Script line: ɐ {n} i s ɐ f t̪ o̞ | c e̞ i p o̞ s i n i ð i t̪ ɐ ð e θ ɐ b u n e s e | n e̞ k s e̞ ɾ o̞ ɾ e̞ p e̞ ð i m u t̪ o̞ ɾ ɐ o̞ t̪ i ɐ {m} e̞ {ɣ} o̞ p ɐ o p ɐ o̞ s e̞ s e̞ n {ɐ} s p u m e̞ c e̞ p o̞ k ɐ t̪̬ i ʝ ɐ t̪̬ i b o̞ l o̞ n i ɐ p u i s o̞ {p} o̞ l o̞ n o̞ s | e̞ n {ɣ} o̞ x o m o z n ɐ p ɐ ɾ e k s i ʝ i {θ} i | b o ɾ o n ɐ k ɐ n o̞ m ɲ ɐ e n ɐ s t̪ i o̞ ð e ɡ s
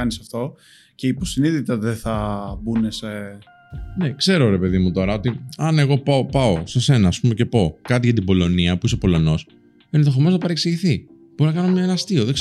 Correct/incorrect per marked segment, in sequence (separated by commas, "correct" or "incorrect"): correct, incorrect, correct, incorrect, correct, incorrect, correct